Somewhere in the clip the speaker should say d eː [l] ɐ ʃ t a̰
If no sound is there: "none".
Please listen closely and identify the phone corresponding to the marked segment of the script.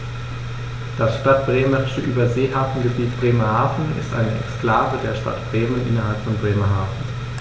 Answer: none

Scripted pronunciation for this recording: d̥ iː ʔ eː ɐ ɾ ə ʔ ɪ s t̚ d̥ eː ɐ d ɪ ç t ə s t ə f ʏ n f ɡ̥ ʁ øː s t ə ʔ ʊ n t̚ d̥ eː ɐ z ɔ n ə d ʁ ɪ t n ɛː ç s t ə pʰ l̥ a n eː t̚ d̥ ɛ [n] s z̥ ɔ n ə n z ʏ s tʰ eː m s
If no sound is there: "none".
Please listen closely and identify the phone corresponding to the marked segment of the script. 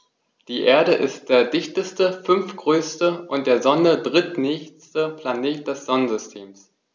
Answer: none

